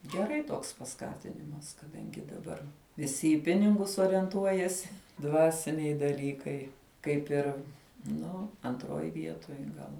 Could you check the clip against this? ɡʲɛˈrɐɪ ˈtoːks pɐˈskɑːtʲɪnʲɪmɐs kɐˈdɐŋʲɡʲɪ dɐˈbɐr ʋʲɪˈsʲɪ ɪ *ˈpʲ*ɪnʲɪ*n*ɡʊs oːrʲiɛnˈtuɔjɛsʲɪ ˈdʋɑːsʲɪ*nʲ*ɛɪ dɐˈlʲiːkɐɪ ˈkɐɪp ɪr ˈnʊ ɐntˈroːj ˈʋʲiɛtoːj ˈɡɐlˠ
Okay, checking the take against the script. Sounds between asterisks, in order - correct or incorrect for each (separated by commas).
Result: correct, incorrect, correct